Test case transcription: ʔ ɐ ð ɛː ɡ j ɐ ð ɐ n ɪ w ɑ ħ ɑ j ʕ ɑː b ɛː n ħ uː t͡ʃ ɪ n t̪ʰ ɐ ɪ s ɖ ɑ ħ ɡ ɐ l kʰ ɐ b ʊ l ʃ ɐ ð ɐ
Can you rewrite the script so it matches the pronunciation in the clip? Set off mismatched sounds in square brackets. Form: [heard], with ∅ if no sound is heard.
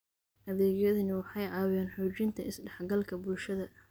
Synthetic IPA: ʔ ɐ ð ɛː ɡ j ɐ ð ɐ n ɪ w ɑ ħ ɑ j ʕ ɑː [w] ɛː n ħ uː t͡ʃ ɪ n t̪ʰ ɐ ɪ s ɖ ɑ ħ ɡ ɐ l kʰ ɐ b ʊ l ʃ ɐ ð ɐ